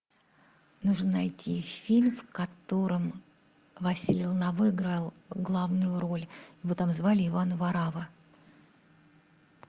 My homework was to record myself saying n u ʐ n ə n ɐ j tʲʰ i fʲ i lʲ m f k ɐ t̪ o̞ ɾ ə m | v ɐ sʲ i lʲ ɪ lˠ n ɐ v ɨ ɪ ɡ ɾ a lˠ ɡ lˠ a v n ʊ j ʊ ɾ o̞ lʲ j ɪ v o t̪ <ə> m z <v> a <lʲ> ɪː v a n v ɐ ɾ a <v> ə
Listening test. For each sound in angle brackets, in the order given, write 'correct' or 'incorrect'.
incorrect, correct, correct, correct

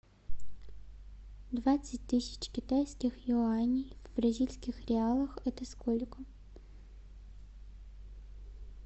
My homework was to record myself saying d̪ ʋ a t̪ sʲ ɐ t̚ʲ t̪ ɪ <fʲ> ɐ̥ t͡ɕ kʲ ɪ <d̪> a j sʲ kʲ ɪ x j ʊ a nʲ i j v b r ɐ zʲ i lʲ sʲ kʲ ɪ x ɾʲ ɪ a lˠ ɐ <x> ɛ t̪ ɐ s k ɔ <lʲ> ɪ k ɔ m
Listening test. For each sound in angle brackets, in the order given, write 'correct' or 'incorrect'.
incorrect, incorrect, correct, correct

